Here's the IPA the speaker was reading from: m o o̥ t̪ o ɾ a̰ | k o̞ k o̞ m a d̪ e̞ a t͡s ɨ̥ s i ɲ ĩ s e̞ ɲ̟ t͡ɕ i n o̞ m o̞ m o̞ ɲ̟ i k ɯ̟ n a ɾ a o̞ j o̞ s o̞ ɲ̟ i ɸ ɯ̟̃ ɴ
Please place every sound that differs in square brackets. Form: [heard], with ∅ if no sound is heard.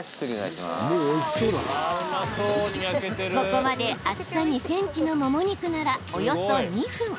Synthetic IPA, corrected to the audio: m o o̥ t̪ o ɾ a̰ | k o̞ k o̞ m a d̪ e̞ a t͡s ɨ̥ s [a] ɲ [i] s [ẽ̞] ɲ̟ t͡ɕ i n o̞ m o̞ m o̞ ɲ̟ i k ɯ̟ n a ɾ a o̞ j o̞ s o̞ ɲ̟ i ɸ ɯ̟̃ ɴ